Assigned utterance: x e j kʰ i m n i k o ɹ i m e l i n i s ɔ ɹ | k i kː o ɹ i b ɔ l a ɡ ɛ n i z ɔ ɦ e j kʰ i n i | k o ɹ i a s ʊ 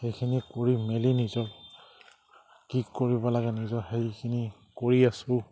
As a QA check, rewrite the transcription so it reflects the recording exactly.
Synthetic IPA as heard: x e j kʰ i n i k o ɹ i m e l i n i z ɔ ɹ | k i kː o ɹ i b ɔ l a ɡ ɛ n i z ɔ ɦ e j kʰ i n i | k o ɹ i a s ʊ